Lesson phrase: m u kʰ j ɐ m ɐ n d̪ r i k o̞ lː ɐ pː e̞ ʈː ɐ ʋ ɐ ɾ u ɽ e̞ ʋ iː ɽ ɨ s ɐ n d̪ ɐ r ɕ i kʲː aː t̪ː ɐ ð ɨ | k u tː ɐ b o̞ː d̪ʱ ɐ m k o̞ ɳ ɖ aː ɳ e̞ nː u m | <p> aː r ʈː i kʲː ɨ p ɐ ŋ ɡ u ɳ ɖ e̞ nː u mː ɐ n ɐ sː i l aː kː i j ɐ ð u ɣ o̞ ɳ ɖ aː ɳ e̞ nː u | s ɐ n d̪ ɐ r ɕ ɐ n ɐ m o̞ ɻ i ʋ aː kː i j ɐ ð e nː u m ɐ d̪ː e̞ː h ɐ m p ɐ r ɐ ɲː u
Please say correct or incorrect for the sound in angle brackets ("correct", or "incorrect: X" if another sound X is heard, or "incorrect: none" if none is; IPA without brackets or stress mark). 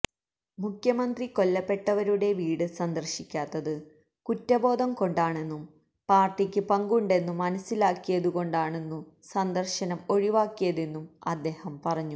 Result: correct